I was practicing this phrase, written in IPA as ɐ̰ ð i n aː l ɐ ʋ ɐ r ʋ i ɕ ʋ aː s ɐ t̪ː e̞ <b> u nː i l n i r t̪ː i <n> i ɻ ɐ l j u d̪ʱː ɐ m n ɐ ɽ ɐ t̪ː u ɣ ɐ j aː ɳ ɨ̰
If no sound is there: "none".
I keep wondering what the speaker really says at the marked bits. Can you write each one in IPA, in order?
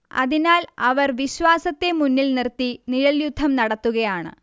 m, n

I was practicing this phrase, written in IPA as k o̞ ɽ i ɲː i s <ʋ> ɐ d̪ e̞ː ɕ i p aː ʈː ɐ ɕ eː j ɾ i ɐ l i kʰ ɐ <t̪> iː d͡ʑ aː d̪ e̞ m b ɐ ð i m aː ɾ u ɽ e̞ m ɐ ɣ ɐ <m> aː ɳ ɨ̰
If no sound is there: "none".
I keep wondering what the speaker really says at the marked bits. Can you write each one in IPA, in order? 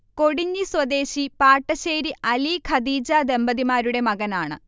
w, d̪, n

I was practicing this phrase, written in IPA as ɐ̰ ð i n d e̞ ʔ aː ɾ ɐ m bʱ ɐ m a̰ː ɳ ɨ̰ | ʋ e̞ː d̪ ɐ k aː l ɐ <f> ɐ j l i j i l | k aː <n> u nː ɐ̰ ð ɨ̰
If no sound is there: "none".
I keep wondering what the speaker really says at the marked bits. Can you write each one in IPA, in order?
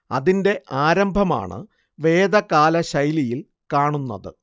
ɕ, ɳ

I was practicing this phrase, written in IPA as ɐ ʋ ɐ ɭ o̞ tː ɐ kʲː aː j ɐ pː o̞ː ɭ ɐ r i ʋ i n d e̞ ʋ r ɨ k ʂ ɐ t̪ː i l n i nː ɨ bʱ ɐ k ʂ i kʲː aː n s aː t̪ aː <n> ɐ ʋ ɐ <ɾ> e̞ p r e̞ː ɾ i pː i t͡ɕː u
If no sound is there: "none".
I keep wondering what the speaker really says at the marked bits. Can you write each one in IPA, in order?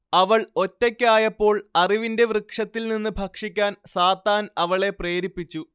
n, ɭ

